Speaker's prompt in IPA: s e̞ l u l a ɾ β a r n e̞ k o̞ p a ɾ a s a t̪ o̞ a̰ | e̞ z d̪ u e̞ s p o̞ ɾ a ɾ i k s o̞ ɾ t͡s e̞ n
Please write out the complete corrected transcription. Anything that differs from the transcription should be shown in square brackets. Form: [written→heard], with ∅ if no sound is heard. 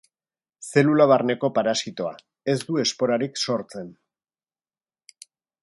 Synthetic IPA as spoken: s e̞ l u l a [ɾ→∅] β a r n e̞ k o̞ p a ɾ a s [a→i] t̪ o̞ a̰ | e̞ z d̪ u e̞ s p o̞ ɾ a ɾ i k s o̞ ɾ t͡s e̞ n